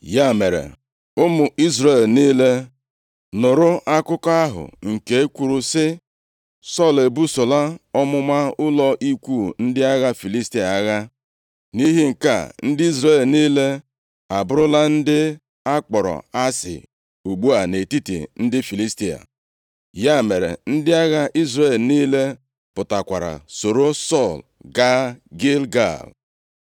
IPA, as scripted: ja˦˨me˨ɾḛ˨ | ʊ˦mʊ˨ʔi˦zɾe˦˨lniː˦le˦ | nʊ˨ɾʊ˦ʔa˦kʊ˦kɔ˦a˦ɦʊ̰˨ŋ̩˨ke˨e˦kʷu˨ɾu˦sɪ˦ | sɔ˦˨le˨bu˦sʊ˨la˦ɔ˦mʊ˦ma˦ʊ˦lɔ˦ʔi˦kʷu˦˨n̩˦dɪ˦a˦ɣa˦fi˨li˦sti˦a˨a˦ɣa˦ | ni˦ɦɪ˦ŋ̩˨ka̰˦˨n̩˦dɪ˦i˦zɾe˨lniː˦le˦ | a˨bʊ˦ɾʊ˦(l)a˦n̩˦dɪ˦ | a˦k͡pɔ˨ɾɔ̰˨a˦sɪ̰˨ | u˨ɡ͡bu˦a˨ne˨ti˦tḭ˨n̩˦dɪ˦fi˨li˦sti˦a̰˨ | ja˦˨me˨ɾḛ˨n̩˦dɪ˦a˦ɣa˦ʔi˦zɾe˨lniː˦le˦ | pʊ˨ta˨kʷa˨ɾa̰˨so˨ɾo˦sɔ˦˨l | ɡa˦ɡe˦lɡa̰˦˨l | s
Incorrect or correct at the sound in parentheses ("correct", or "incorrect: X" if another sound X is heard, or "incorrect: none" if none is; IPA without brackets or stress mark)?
correct